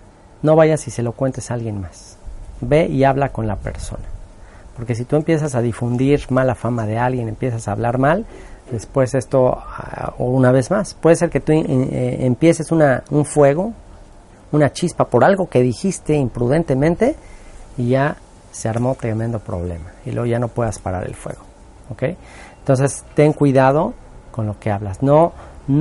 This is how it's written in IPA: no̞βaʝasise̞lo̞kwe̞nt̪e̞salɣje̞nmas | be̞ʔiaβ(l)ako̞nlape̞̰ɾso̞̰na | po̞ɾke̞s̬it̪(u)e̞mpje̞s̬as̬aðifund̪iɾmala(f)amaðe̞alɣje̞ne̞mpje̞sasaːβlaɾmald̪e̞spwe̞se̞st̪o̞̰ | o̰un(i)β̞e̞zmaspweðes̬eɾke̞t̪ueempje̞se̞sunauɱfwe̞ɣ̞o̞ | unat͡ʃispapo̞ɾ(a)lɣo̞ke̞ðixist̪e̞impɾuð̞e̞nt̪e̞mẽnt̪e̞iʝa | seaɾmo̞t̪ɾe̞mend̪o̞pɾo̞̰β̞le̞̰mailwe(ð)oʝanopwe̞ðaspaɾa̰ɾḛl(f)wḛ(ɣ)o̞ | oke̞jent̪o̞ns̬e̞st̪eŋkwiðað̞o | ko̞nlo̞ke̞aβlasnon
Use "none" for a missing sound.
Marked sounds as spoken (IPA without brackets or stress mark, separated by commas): l, u, f, a, a, ɣ, f, ɣ